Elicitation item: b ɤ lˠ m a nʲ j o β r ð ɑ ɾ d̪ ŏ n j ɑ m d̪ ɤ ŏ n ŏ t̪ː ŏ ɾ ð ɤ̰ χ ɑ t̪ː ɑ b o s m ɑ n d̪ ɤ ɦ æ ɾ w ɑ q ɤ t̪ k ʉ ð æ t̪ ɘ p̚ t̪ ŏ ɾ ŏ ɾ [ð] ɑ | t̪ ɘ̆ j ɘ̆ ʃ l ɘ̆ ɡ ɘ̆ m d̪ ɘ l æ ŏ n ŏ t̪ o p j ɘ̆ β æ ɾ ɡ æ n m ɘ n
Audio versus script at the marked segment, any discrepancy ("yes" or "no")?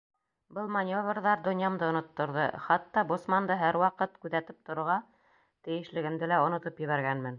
yes